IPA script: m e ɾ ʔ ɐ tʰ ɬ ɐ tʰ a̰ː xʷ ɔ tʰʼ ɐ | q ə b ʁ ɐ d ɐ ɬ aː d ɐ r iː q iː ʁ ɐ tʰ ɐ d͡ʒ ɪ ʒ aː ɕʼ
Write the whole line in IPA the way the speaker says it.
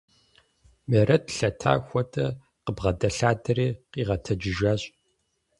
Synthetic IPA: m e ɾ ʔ ɐ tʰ ɬ ɐ tʰ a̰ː xʷ ɔ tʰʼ ɐ | q ə b ʁ ɐ d ɐ ɬ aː d ɐ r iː q iː ʁ ɐ tʰ ɐ d͡ʒ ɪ ʒ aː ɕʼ